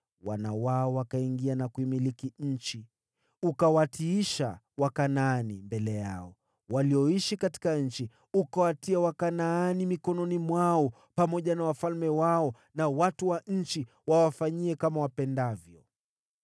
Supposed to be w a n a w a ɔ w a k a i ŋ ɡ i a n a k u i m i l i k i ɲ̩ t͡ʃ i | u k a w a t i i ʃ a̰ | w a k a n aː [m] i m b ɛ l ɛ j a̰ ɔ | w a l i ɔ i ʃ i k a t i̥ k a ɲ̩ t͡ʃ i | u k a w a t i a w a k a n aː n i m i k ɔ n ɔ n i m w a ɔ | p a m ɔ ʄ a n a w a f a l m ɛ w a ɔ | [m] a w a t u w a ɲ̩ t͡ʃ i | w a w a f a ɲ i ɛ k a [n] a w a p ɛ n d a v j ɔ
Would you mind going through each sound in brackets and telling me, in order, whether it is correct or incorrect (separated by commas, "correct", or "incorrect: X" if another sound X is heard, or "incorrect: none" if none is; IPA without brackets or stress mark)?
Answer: incorrect: n, incorrect: n, incorrect: m